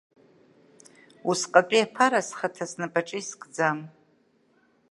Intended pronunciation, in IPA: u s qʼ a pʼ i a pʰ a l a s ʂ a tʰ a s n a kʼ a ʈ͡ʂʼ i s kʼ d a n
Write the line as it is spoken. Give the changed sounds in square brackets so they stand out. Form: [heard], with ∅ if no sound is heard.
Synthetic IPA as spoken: u s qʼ a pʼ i a pʰ a [ɾ] a s [χ] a tʰ a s n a [pʼ] a ʈ͡ʂʼ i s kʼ [d͡z] a [m]